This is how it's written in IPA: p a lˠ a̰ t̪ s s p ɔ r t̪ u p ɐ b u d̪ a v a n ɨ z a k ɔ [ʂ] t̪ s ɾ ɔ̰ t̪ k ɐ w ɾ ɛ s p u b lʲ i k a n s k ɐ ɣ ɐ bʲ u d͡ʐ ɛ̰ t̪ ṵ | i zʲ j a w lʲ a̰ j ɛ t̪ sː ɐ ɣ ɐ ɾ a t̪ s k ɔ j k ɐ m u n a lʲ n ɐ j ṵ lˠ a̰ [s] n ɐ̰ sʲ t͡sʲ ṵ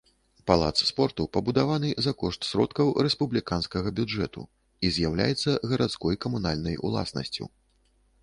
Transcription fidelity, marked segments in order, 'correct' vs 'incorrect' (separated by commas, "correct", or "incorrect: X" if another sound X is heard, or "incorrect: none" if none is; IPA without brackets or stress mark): correct, correct